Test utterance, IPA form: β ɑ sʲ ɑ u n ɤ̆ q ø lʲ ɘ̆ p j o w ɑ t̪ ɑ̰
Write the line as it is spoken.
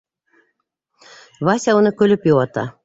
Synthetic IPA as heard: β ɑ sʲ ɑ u n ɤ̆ k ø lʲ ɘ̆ p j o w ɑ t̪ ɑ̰